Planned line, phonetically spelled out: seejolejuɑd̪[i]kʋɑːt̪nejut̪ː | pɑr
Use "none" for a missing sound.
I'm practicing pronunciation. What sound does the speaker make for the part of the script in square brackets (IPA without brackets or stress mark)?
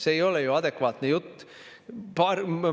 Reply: e